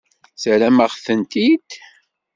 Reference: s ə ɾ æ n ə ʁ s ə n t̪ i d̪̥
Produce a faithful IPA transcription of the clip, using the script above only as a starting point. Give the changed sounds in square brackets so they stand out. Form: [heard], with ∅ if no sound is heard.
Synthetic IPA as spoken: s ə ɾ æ [m] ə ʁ [θ] ə n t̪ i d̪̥